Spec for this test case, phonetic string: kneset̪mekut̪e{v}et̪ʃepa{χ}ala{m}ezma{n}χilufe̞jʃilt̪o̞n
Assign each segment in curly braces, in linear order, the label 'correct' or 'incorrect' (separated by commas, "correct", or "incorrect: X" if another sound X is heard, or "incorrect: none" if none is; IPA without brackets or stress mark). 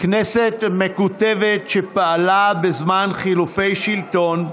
correct, incorrect: none, incorrect: b, correct